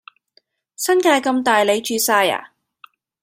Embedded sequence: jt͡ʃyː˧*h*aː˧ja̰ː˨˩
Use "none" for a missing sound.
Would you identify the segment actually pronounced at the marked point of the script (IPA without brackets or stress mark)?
s